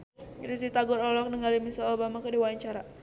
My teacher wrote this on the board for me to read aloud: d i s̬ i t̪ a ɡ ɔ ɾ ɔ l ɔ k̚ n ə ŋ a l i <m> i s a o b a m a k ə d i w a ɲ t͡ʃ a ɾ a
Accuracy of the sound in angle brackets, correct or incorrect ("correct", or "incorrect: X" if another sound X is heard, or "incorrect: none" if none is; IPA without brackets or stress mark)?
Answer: correct